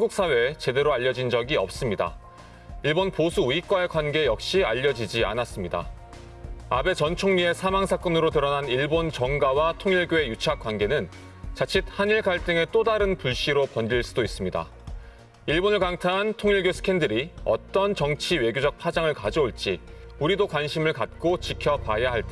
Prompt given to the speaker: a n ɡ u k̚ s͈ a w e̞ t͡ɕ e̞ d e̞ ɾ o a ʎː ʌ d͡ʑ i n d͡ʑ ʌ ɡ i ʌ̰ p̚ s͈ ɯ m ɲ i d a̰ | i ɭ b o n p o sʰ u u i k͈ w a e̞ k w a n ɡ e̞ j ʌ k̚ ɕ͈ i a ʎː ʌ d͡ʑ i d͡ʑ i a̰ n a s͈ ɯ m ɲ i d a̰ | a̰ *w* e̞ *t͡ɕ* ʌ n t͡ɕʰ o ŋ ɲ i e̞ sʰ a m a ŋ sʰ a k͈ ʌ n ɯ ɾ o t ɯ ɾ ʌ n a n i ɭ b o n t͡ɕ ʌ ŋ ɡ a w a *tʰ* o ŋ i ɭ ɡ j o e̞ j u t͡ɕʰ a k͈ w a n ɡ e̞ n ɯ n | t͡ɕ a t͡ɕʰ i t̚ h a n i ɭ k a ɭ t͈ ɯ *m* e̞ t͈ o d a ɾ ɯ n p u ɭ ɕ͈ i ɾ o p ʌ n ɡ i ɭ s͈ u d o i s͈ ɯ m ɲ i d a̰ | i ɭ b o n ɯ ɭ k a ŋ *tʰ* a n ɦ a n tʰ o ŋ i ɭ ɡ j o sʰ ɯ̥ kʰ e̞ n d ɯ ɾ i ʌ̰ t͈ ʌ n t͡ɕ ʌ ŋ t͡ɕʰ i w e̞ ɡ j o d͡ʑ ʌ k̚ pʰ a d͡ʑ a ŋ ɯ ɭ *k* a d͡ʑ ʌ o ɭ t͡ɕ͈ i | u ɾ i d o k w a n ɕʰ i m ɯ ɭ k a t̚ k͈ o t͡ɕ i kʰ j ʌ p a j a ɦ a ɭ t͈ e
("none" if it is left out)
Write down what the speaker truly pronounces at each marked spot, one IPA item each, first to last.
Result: b, t͡ɕ, tʰ, ŋ, tʰ, k

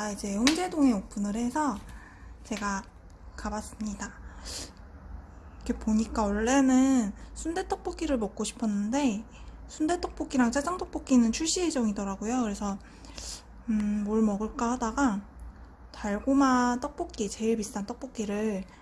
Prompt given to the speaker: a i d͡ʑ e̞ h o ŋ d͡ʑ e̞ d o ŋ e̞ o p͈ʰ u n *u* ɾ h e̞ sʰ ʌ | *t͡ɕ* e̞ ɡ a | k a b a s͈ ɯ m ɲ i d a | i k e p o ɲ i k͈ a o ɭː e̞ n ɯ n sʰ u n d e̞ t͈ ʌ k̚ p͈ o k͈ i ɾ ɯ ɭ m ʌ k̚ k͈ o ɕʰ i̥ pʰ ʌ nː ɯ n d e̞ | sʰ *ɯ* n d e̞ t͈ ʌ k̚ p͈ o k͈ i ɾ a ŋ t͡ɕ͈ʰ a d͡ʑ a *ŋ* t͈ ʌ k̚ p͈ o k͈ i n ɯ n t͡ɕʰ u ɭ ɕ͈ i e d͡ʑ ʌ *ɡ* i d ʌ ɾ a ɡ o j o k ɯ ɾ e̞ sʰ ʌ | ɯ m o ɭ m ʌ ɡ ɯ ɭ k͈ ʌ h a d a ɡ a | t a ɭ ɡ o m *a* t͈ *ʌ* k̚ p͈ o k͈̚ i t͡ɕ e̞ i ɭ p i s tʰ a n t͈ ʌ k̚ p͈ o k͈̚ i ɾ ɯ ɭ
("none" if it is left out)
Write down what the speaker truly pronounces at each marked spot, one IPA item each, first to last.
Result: ɯ, t͡ɕ, u, ŋ, ŋ, a, ʌ

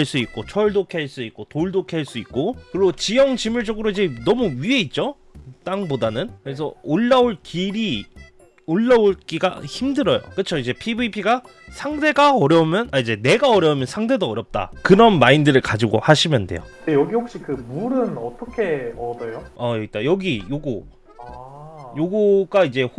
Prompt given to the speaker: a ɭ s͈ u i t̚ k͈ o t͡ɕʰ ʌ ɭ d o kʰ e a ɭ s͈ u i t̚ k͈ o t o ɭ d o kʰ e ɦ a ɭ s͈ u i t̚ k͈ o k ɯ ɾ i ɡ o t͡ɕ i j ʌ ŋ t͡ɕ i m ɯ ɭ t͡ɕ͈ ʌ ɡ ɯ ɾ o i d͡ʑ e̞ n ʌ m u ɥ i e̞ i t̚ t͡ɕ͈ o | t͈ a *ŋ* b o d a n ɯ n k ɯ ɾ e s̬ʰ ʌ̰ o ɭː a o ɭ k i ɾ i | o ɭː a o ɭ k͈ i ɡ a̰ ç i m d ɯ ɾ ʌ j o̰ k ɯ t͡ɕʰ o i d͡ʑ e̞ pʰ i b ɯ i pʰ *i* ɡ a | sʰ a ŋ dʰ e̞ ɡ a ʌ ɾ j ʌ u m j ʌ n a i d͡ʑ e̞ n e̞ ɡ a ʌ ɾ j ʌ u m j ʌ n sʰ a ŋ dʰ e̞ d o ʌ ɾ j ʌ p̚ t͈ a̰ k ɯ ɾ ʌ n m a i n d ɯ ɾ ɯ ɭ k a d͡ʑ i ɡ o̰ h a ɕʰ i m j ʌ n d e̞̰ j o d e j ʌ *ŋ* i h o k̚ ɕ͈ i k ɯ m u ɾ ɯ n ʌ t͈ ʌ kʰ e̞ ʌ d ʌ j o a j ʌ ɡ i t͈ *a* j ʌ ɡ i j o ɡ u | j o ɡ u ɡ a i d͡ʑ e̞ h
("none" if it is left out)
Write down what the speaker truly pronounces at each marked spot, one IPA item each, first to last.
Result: ŋ, i, ɡ, a

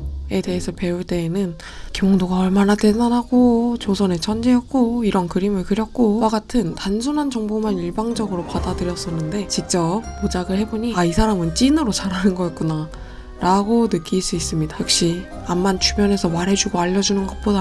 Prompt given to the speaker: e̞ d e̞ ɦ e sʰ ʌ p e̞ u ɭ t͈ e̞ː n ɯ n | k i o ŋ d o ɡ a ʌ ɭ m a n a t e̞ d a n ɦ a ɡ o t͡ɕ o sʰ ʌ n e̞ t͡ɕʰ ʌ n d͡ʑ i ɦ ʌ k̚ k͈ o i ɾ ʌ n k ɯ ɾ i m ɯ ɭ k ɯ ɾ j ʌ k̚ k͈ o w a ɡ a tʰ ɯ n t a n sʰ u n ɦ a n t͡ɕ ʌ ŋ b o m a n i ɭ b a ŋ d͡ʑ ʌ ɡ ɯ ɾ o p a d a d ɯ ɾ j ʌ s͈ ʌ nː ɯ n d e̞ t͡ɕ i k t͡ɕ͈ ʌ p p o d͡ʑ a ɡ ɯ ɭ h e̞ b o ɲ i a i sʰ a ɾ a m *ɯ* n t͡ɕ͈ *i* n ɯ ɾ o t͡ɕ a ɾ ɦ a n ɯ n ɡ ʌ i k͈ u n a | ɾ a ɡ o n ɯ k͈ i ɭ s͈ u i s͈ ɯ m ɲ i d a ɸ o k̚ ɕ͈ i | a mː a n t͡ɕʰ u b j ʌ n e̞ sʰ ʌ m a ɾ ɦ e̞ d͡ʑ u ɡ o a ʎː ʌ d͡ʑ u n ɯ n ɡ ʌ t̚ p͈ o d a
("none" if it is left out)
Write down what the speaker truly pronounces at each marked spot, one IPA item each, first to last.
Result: ɯ, i

